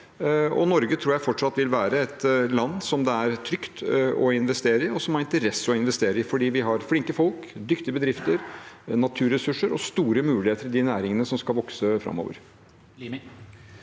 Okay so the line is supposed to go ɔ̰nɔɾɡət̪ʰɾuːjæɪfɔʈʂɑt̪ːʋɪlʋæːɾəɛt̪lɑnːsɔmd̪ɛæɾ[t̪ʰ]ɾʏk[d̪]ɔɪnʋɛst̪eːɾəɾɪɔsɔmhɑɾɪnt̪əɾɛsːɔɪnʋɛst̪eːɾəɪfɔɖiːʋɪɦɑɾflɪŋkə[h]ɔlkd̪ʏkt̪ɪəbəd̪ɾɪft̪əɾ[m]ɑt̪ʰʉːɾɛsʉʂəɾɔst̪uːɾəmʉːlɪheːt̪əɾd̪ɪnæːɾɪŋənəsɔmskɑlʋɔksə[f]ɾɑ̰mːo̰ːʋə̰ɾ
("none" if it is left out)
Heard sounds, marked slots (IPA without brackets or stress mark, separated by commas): t̪ʰ, t̪, f, n, f